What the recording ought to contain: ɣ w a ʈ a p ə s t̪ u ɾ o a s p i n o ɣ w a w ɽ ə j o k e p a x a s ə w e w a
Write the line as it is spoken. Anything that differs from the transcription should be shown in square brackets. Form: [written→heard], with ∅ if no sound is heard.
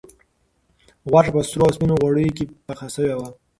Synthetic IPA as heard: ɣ w a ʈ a p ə s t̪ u ɾ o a s p i n o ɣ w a [w→∅] ɽ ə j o k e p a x a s ə w e w a